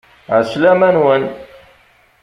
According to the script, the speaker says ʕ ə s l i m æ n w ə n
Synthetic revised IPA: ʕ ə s l æ m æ n w ə n